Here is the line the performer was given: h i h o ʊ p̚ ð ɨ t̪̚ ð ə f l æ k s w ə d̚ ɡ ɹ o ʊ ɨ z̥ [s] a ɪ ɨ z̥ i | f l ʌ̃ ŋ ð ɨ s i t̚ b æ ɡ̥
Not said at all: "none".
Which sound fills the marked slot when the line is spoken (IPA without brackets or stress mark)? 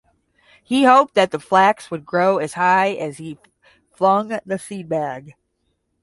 h